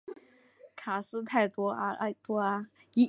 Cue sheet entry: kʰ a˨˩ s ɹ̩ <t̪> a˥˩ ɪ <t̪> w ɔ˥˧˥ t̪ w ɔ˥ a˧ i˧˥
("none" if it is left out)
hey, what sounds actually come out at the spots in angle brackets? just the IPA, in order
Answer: t̪ʰ, t̪

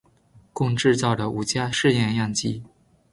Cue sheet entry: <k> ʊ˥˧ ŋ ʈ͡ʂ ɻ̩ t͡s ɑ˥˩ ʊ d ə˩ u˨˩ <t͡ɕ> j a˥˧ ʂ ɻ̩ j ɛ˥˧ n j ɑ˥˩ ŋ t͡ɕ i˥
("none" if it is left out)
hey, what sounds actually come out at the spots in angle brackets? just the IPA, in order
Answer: k, t͡ɕ

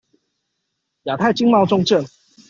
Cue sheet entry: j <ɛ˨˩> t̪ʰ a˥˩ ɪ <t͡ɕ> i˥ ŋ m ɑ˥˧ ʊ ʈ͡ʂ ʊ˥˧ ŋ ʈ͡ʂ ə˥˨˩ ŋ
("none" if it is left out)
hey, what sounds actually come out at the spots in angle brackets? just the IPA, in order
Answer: a˨˩, t͡ɕ

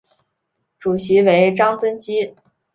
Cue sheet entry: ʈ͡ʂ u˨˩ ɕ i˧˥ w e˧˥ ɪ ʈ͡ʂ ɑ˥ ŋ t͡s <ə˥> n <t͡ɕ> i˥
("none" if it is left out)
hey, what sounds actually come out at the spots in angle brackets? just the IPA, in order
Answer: ə˥, t͡ɕ

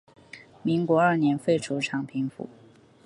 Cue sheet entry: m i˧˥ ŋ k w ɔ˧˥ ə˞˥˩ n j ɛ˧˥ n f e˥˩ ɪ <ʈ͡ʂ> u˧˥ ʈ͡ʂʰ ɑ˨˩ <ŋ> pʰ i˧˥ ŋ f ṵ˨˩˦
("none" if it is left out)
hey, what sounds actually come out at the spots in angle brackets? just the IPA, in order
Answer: ʈ͡ʂʰ, ŋ

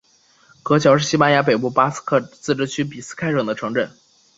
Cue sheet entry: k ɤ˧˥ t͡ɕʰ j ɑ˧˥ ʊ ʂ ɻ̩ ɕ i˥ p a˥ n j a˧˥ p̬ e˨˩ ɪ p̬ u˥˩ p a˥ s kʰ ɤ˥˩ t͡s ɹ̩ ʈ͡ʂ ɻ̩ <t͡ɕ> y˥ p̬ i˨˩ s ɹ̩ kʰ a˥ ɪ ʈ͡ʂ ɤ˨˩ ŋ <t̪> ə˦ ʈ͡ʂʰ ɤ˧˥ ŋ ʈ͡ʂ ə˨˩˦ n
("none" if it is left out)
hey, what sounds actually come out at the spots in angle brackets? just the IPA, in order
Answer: t͡ɕʰ, d̪

